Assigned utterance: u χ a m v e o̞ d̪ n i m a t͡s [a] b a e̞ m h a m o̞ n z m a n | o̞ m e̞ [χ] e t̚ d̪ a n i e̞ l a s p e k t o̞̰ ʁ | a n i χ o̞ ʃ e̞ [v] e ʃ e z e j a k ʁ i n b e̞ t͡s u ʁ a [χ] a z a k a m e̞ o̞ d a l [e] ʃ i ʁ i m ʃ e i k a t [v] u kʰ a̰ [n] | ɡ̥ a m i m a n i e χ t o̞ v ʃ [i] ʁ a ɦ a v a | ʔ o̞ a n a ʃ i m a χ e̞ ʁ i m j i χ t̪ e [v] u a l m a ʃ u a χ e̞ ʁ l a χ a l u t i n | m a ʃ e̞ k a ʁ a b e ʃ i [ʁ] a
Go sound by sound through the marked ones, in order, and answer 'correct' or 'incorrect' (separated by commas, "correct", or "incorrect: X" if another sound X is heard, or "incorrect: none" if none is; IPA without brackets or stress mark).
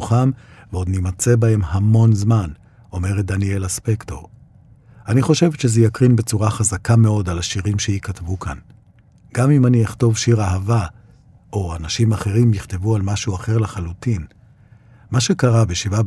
incorrect: e, incorrect: ʁ, correct, correct, incorrect: a, correct, correct, correct, correct, incorrect: v